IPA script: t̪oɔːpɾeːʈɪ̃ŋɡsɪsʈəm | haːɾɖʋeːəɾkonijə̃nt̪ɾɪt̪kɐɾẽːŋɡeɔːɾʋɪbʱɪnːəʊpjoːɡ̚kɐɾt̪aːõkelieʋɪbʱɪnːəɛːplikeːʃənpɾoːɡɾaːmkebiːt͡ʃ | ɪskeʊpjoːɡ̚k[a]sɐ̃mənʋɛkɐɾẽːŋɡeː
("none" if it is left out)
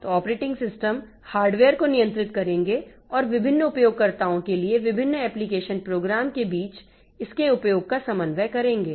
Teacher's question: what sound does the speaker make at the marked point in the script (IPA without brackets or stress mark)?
a